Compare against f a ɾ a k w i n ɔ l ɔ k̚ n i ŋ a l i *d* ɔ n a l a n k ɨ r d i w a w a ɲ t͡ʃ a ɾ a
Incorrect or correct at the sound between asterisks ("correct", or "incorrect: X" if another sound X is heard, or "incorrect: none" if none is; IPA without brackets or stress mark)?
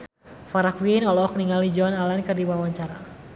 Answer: incorrect: d͡ʒ